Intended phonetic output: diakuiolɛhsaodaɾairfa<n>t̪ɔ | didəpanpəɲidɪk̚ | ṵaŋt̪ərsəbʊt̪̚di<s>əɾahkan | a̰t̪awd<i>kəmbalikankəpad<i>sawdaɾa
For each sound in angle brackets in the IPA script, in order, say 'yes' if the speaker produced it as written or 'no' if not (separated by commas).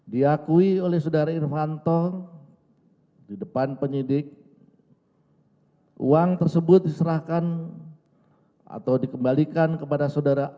yes, yes, yes, no